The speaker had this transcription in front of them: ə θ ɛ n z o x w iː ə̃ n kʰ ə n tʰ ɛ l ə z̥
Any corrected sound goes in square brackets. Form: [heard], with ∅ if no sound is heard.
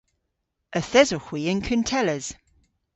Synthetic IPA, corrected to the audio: ə θ ɛ [∅] z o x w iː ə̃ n kʰ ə n tʰ ɛ l ə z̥